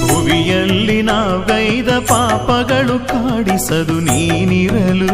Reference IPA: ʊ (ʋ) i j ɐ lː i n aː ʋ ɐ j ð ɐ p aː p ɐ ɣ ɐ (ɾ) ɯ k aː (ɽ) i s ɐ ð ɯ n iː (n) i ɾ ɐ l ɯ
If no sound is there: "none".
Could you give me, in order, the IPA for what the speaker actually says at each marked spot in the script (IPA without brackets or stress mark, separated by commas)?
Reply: ʋ, ɭ, ɽ, n